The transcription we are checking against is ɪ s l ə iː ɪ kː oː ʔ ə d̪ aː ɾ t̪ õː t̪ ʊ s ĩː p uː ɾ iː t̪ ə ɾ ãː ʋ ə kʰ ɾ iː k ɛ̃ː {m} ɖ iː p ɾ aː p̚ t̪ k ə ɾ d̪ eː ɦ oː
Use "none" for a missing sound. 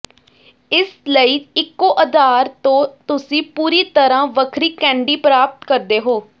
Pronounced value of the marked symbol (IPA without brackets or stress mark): ɳ